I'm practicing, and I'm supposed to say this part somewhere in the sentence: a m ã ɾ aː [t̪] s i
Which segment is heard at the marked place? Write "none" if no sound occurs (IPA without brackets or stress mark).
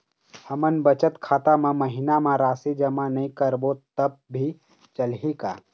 none